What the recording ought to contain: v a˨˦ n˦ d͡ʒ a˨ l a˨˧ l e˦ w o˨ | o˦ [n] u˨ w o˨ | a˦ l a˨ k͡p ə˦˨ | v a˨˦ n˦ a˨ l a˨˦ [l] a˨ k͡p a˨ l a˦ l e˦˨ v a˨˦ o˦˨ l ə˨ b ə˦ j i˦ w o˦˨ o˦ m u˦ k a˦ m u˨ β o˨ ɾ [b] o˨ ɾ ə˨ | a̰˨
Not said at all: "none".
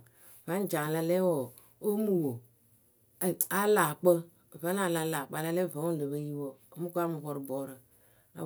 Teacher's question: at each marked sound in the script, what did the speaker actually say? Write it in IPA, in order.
m, l, b

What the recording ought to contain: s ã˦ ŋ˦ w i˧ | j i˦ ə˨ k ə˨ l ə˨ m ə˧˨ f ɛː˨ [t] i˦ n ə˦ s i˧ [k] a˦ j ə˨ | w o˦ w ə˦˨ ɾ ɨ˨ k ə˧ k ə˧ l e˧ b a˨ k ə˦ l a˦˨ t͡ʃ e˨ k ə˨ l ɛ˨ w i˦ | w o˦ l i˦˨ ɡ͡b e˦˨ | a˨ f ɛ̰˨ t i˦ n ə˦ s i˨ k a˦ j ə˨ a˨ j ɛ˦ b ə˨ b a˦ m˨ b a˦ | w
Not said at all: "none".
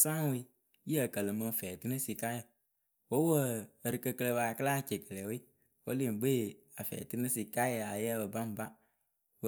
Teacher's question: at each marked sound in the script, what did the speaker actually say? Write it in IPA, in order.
t, k

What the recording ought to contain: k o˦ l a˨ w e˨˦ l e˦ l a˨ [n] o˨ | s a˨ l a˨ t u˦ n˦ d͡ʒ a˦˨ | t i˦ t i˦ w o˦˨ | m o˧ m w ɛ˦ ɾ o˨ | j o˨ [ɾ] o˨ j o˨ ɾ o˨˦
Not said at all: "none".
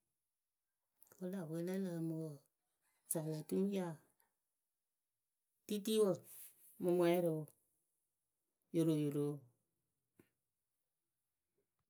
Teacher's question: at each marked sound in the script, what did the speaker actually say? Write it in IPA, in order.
m, ɾ

